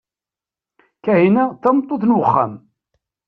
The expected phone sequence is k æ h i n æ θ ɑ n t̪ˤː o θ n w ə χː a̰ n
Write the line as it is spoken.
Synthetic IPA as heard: k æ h i n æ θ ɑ m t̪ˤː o θ n w ə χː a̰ m